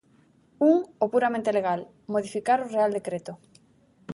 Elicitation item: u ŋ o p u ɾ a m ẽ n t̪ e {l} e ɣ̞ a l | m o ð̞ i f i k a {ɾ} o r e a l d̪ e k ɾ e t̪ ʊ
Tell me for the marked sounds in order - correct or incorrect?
correct, correct

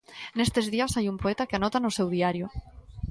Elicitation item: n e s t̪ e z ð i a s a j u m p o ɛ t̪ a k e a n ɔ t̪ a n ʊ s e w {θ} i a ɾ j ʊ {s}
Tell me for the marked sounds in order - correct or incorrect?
incorrect: ð, incorrect: none

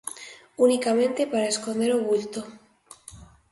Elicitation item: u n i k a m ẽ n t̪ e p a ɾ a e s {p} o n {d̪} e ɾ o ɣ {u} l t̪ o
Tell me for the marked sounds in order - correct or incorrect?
incorrect: k, correct, correct

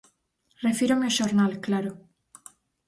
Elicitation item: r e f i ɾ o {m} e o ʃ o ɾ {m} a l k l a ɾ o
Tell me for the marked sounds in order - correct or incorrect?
correct, incorrect: n

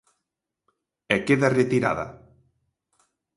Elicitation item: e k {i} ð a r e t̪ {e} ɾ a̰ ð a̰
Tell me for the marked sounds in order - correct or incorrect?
incorrect: e, incorrect: i

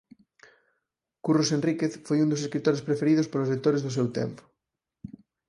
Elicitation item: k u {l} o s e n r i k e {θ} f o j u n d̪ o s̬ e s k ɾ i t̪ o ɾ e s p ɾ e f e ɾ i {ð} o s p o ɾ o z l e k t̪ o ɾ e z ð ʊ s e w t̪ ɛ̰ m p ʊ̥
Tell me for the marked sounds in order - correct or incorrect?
incorrect: r, correct, correct

